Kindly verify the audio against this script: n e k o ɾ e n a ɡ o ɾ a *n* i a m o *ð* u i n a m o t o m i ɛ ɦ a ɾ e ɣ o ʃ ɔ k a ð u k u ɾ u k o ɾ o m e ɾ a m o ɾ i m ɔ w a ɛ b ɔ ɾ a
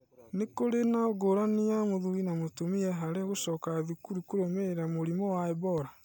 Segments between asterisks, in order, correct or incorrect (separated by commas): correct, correct